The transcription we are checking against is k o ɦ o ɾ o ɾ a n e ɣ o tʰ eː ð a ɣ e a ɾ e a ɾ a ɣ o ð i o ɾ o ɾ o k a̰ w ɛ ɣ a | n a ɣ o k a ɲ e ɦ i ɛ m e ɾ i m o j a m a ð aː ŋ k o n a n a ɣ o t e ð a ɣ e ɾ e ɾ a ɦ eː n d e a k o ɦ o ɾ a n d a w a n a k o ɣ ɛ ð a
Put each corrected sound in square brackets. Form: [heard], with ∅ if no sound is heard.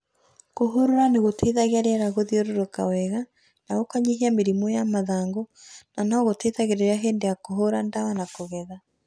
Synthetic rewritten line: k o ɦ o ɾ o ɾ a n e ɣ o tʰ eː ð a ɣ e a ɾ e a ɾ a ɣ o ð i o ɾ o ɾ o k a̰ w ɛ ɣ a | n a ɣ o k a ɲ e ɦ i [a] m e ɾ i m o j a m a ð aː ŋ [ɡ] o n a n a ɣ o t e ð a ɣ e ɾ e ɾ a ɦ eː n d e a k o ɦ o ɾ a n d a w a n a k o ɣ ɛ ð a